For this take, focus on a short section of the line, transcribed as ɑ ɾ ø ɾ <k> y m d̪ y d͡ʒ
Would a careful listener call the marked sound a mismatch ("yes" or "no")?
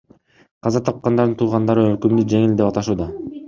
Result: no